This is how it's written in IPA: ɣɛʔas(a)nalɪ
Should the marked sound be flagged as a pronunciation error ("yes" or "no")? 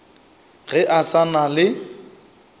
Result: no